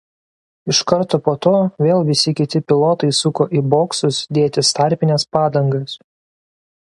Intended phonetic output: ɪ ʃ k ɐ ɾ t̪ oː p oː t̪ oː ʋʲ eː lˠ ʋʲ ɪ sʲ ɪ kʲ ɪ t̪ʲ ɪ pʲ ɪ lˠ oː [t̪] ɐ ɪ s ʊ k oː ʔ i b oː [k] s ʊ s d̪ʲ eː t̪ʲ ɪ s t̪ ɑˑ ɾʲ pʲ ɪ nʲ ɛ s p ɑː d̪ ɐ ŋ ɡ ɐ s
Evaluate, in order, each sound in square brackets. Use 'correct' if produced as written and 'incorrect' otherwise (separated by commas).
correct, correct